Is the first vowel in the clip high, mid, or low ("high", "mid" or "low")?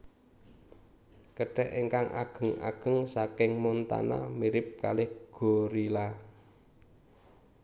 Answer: mid